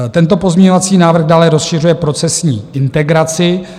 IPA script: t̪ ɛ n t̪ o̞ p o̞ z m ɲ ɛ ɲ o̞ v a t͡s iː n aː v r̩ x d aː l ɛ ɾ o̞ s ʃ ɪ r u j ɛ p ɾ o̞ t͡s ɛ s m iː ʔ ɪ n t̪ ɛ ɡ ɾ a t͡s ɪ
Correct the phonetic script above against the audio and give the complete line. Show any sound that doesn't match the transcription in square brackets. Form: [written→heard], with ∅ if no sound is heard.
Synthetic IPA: t̪ ɛ n t̪ o̞ p o̞ z m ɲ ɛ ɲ o̞ v a t͡s iː n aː v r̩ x d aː l ɛ ɾ o̞ s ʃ ɪ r u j ɛ p ɾ o̞ t͡s ɛ s [m→ɲ] iː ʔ ɪ n t̪ ɛ ɡ ɾ a t͡s ɪ